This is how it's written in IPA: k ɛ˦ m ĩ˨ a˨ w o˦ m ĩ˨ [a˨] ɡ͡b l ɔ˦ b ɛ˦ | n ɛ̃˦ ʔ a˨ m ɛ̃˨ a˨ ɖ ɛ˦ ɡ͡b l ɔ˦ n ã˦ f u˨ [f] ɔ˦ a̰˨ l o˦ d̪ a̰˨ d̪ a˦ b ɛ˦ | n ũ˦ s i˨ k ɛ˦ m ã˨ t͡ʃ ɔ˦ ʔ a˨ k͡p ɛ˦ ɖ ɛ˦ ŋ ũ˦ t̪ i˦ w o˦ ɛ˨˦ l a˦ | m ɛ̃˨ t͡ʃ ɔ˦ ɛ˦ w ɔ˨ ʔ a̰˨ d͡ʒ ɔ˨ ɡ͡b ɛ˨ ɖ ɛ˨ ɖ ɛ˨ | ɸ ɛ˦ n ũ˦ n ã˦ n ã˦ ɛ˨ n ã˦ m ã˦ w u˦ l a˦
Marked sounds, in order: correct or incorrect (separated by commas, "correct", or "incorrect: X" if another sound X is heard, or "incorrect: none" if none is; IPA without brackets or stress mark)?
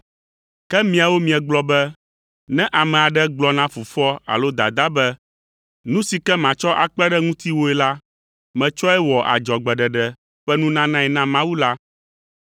incorrect: ɛ˨, correct